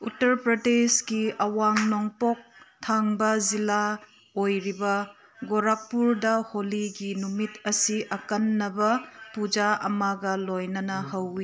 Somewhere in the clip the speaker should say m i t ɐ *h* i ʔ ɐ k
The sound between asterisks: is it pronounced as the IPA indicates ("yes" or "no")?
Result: no